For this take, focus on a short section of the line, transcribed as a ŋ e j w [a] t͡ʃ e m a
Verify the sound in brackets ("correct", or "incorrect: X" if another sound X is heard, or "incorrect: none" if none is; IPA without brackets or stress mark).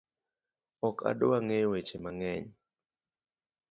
incorrect: e